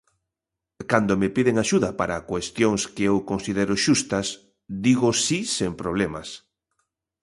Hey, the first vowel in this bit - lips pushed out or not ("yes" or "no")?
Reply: no